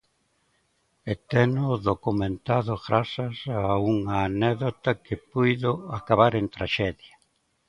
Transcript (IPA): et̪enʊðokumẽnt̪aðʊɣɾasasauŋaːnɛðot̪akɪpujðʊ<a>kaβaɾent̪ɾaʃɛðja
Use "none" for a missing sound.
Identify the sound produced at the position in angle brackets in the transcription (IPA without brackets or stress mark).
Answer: a